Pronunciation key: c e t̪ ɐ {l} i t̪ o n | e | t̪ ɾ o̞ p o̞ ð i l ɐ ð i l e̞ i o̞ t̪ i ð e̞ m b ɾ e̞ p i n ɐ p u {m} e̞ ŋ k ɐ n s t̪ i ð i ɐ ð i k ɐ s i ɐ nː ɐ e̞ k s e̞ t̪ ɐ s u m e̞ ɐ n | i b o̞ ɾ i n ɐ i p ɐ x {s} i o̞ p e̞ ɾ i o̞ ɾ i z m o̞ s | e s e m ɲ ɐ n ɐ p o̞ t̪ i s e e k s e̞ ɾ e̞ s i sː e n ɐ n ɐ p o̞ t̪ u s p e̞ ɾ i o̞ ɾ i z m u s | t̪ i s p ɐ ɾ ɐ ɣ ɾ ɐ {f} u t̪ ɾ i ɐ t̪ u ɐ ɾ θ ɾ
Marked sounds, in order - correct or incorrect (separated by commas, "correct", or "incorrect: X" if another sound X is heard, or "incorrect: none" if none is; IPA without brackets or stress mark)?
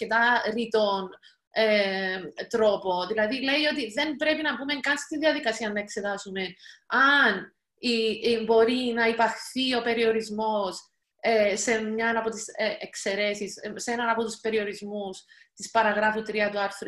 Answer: incorrect: ɾ, correct, incorrect: θ, correct